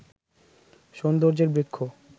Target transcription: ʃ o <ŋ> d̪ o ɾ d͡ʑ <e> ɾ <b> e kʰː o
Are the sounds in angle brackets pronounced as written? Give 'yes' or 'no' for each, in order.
no, yes, yes

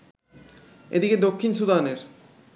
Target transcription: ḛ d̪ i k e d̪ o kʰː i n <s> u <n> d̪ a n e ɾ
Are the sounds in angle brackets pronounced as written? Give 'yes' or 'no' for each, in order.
yes, no

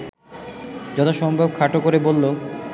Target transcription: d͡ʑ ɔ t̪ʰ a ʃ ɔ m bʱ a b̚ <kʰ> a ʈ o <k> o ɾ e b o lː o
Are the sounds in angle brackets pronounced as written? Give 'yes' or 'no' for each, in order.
yes, yes

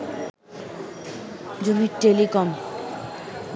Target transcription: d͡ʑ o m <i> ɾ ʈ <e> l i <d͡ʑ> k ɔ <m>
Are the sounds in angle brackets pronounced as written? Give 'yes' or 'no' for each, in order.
yes, yes, no, yes

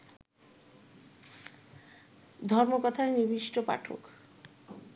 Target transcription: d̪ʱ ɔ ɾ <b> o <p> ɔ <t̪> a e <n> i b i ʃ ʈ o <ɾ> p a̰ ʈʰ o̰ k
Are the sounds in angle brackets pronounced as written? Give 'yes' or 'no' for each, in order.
no, no, no, yes, no

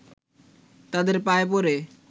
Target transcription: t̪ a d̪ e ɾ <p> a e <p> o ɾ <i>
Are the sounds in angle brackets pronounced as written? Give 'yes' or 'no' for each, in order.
yes, yes, no

